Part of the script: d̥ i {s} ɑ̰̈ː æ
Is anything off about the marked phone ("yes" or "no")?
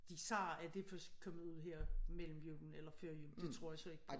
no